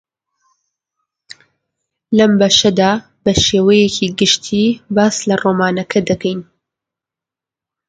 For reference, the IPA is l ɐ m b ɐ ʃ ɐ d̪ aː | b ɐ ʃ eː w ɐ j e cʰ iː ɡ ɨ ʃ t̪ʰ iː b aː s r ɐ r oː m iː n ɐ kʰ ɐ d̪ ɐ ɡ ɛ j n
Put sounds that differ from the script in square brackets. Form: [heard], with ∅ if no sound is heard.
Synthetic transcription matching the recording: l ɐ m b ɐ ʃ ɐ d̪ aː | b ɐ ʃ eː w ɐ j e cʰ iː ɡ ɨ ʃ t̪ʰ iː b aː s [l] ɐ r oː m [aː] n ɐ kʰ ɐ d̪ ɐ [k] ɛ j n